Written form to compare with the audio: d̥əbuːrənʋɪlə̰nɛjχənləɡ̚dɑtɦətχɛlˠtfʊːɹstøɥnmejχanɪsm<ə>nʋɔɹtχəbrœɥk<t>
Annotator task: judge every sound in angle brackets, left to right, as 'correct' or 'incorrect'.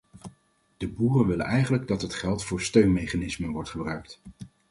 correct, correct

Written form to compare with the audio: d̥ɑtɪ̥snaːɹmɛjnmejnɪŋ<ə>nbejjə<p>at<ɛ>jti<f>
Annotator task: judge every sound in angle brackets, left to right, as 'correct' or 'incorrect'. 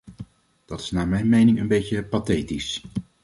correct, correct, incorrect: e, incorrect: s

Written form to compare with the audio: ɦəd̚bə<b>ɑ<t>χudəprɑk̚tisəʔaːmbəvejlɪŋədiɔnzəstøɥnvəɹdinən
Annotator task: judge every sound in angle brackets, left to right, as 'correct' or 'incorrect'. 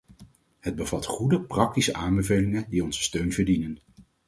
incorrect: v, correct

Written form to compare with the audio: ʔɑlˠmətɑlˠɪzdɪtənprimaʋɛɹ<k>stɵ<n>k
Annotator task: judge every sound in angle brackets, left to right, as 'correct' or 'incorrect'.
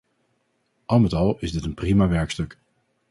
correct, incorrect: none

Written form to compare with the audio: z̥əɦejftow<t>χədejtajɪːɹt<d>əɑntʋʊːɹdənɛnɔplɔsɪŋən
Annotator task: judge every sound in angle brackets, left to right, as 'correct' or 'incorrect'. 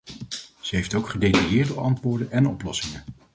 incorrect: k, correct

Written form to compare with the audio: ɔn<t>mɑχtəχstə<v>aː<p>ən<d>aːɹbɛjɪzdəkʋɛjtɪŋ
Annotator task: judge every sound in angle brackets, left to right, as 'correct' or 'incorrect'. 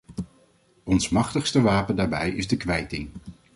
incorrect: s, incorrect: ʋ, correct, correct

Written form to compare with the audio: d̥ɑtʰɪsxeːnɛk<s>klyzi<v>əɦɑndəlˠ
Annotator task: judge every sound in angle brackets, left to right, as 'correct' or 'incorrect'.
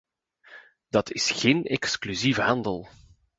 correct, correct

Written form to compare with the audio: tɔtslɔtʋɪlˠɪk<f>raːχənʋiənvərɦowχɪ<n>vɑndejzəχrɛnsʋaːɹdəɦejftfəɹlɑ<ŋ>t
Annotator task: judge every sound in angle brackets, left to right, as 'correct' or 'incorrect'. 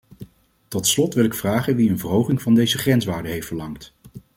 correct, incorrect: ŋ, correct

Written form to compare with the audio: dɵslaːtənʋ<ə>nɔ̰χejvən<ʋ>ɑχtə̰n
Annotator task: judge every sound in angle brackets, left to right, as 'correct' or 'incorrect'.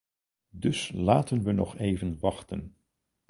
correct, correct

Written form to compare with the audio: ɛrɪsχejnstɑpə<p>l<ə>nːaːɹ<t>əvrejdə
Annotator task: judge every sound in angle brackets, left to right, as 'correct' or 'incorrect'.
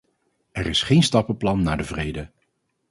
correct, incorrect: ɑ, incorrect: d

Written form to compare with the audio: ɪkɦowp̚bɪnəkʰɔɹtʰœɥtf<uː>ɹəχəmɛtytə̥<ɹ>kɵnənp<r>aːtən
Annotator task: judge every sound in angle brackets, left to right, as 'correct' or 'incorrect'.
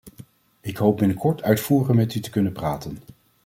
correct, incorrect: none, correct

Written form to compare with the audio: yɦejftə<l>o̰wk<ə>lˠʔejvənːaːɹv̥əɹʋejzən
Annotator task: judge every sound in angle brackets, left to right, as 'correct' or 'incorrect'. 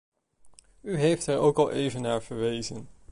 incorrect: ɹ, incorrect: ɑ

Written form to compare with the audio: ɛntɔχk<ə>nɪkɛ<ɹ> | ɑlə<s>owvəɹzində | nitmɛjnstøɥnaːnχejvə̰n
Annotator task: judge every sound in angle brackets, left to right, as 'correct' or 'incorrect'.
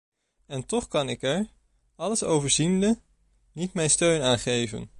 incorrect: ɑ, correct, correct

